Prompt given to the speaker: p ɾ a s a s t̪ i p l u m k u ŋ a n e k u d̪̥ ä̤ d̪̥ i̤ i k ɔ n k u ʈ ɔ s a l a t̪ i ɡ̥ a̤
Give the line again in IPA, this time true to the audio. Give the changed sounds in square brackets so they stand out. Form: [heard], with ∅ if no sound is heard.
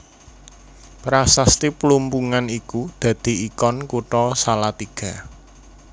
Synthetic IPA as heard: p ɾ a s a s t̪ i p l u m [p] u ŋ a n [i] k u d̪̥ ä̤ d̪̥ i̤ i k ɔ n k u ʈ ɔ s a l a t̪ i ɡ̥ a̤

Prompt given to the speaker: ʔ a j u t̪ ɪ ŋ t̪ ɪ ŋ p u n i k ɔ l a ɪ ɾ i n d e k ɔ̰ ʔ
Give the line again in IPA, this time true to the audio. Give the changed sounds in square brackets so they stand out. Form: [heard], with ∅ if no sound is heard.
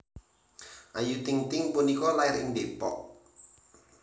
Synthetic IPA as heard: ʔ a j u t̪ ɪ ŋ t̪ ɪ ŋ p u n i k ɔ l a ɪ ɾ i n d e [p] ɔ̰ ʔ

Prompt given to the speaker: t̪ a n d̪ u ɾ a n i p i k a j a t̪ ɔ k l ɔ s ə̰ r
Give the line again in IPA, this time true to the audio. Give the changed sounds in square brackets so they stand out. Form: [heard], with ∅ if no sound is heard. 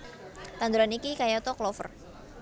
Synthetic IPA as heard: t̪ a n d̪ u ɾ a n i [k] i k a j a t̪ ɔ k l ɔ [f] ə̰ r

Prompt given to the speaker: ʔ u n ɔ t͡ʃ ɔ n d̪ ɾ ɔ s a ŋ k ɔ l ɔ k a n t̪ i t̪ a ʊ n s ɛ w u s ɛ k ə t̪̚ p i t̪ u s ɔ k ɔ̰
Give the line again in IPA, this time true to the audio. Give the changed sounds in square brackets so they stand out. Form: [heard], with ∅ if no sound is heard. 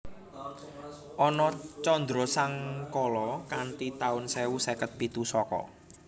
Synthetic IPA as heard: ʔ [ɔ] n ɔ t͡ʃ ɔ n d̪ ɾ ɔ s a ŋ k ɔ l ɔ k a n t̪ i t̪ a ʊ n s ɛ w u s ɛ k ə t̪̚ p i t̪ u s ɔ k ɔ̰

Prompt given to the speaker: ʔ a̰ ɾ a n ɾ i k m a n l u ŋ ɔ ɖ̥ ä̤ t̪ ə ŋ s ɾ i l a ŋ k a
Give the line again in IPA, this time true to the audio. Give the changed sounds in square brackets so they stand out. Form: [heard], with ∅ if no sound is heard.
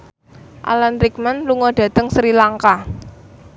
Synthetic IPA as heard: ʔ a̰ [l] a n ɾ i k m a n l u ŋ ɔ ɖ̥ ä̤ t̪ ə ŋ s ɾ i l a ŋ k a

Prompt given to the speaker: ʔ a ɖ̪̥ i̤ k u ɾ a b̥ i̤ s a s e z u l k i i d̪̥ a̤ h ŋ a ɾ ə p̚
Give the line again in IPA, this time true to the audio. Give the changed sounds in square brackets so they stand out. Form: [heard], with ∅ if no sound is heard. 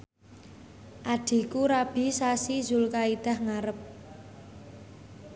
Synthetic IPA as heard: ʔ a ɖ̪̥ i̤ k u ɾ a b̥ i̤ s a s [i] z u l k [a] i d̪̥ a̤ h ŋ a ɾ ə p̚

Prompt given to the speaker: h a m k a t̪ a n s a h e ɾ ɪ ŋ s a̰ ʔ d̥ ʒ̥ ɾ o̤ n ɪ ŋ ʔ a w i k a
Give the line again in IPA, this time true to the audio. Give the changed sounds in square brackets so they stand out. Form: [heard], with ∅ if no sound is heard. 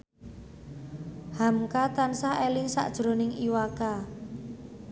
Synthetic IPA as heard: h a m k a t̪ a n s a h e [l] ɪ ŋ s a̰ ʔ d̥ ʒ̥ ɾ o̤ n ɪ ŋ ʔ [i] w [a] k a

